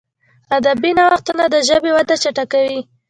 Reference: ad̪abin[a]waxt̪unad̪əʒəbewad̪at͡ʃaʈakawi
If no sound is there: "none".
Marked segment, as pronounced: a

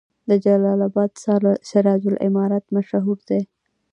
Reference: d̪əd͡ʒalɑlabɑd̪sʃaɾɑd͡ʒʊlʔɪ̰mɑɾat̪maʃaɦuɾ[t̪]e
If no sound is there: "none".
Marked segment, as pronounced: d̪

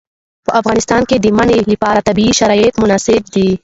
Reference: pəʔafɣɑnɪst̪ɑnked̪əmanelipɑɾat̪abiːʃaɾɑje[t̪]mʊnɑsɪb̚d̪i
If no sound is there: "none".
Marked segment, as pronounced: t̪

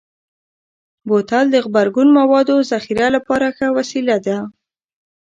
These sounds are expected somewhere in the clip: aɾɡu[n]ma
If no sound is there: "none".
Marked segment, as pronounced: n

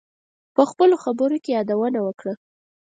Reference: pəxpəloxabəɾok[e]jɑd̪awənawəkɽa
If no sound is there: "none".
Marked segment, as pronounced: e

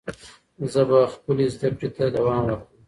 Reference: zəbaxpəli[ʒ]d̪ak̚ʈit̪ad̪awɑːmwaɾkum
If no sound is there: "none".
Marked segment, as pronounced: z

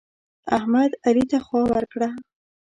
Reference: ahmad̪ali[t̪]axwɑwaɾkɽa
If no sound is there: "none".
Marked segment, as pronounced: t̪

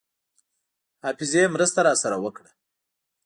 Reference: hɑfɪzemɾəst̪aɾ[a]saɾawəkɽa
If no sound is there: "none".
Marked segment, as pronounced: ɑ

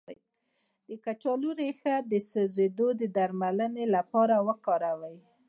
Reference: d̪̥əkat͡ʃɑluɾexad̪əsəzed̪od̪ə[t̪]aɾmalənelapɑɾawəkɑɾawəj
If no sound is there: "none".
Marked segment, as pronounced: d̪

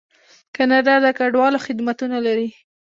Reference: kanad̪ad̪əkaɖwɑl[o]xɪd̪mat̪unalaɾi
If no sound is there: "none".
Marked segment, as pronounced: o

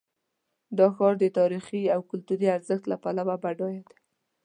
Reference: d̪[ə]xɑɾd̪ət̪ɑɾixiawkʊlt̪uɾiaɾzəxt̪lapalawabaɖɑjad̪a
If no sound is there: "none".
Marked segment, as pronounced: ɑ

